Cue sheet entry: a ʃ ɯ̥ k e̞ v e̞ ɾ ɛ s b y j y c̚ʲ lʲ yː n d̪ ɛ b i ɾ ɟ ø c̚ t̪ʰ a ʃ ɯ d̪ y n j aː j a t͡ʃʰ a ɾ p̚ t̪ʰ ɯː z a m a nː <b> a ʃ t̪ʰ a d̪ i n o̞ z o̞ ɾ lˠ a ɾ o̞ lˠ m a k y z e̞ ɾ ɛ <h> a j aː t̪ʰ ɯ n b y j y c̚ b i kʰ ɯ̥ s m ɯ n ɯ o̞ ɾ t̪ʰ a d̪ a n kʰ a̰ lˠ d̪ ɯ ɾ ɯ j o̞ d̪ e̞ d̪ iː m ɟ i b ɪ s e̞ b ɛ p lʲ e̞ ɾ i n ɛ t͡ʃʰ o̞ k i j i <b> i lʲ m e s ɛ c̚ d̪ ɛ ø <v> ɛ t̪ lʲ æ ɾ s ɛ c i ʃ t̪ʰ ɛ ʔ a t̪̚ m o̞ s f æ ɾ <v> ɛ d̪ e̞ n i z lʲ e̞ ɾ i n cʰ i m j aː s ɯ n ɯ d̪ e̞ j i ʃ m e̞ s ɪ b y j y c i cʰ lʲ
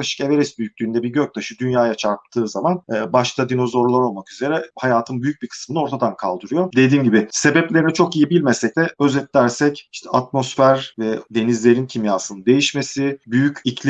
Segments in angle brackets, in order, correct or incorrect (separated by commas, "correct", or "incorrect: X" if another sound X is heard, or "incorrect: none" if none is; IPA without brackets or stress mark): correct, correct, correct, incorrect: z, correct